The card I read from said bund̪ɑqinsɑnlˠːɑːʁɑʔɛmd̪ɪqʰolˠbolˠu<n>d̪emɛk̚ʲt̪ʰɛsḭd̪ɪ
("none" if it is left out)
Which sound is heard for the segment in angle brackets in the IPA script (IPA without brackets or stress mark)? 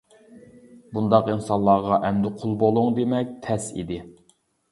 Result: ŋ